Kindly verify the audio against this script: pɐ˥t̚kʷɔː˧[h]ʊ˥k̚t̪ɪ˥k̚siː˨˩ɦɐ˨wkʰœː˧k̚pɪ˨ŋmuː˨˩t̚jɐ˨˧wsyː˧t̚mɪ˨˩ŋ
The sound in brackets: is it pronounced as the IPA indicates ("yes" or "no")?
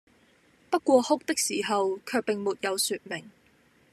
yes